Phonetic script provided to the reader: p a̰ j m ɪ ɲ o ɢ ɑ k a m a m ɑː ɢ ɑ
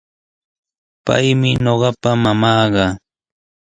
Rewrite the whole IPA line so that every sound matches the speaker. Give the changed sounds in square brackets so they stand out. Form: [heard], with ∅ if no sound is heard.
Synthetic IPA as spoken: p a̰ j m ɪ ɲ o ɢ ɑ [p] a m a m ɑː ɢ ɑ